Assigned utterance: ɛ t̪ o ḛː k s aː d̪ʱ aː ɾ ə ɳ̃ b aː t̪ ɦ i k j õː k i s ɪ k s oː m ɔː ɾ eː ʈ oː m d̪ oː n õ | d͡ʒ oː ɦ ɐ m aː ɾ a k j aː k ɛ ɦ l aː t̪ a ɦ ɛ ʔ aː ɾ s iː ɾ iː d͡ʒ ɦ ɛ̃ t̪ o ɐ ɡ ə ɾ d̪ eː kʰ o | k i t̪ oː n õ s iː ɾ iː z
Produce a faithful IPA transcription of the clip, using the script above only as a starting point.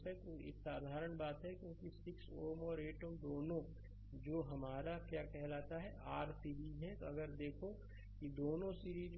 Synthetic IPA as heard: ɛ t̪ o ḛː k s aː d̪ʱ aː ɾ ə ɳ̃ b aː t̪ ɦ ɛ k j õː k i s ɪ k s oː m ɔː ɾ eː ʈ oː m d̪ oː n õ | d͡ʒ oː ɦ ɐ m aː ɾ a k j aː k ɛ ɦ l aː t̪ a ɦ ɛ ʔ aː ɾ s iː ɾ iː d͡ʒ ɦ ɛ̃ t̪ o ɐ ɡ ə ɾ d̪ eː kʰ o | k i d̪ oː n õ s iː ɾ iː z